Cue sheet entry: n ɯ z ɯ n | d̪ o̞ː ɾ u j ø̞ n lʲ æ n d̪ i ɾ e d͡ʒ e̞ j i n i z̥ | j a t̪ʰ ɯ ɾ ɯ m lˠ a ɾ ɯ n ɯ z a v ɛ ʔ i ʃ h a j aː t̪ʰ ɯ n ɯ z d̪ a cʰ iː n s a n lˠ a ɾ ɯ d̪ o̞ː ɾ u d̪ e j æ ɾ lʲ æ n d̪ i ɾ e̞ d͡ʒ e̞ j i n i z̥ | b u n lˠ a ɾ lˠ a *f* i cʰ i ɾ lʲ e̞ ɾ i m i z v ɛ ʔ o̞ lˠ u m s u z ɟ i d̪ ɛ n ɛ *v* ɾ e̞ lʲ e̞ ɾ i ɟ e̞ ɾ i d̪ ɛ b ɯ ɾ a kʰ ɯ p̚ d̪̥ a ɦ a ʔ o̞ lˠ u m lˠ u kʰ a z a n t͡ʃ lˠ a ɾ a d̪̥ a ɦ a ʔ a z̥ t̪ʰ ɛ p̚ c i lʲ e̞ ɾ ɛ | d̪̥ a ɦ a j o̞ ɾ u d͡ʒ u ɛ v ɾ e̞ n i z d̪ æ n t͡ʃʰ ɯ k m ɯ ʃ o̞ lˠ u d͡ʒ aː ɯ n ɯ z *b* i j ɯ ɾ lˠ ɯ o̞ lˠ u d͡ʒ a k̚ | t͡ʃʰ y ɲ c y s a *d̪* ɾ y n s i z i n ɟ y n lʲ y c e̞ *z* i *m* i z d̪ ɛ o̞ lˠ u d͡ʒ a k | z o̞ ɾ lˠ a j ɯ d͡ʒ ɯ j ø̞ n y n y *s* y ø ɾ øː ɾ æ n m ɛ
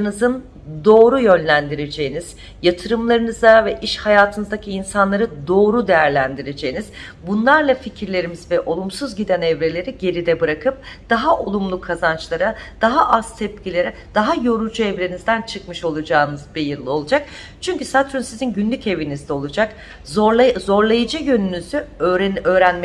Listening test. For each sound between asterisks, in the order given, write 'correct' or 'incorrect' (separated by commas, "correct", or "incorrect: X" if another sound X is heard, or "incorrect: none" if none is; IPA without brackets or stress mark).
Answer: correct, correct, correct, incorrect: t̪, incorrect: v, incorrect: n, incorrect: z